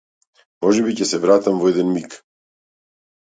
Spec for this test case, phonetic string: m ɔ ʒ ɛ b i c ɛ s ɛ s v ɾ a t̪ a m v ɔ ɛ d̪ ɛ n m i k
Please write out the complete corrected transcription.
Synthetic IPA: m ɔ ʒ ɛ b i c ɛ s ɛ v ɾ a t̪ a m v ɔ ɛ d̪ ɛ n m i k